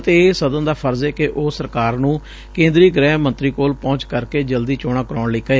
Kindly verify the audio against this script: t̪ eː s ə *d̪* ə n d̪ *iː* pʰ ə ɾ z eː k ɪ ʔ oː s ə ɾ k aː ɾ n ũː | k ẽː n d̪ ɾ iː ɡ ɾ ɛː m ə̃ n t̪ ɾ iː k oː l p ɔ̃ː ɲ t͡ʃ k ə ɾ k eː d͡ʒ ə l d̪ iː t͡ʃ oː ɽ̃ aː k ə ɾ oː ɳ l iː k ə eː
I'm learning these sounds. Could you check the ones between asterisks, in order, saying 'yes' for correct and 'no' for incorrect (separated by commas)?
yes, no